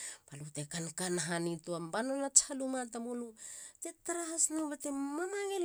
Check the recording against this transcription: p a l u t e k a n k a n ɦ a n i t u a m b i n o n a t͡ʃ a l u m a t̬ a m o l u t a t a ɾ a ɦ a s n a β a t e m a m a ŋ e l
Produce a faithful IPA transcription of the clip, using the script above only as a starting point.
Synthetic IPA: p a l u t e k a n k a n ɦ a n i t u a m b a n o n a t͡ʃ a l u m a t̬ a m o l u t e t a ɾ a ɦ a s n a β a t e m a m a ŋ e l